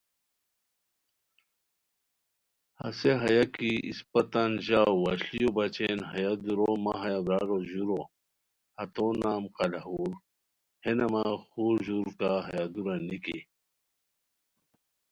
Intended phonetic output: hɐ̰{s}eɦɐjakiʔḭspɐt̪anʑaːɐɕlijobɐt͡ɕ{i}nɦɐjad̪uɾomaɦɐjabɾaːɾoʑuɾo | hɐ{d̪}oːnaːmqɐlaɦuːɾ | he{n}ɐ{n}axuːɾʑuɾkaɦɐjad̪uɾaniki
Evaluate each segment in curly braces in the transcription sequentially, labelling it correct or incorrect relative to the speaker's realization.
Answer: correct, incorrect: e, incorrect: t̪, correct, incorrect: m

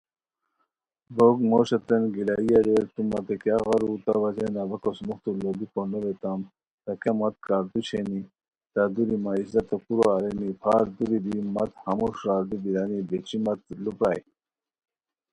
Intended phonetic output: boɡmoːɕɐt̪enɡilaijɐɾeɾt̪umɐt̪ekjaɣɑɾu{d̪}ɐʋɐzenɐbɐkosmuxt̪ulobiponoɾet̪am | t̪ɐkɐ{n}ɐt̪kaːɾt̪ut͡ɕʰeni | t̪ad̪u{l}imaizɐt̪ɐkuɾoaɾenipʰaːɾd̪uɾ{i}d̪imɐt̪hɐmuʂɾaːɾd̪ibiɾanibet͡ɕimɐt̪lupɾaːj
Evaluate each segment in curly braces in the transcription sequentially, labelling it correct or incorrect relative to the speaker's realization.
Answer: incorrect: t̪, incorrect: m, incorrect: ɾ, correct

